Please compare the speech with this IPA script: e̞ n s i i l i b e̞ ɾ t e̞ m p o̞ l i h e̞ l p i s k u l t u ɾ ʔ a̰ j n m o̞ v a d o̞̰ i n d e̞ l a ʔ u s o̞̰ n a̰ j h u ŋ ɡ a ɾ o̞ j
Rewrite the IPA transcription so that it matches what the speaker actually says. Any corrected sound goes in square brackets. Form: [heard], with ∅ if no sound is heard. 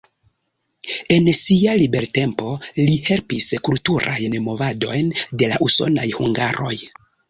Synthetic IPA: e̞ n s i [a] l i b e̞ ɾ t e̞ m p o̞ l i h e̞ l p i s k u l t u ɾ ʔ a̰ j n m o̞ v a d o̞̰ [j] n d e̞ l a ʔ u s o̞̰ n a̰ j h u ŋ ɡ a ɾ o̞ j